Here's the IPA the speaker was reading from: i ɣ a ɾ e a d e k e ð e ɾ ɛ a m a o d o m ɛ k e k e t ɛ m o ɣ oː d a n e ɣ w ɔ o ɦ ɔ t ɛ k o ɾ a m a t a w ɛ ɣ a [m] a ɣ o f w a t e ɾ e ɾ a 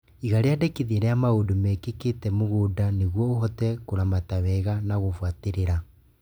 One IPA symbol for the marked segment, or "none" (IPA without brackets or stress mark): n